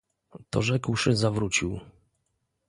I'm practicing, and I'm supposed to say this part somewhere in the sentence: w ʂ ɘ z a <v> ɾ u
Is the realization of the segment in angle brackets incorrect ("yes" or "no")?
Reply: no